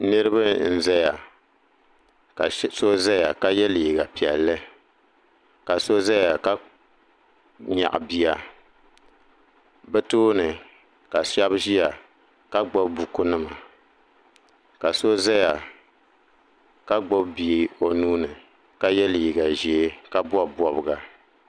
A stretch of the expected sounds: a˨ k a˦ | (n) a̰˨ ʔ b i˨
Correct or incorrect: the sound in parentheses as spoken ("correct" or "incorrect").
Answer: incorrect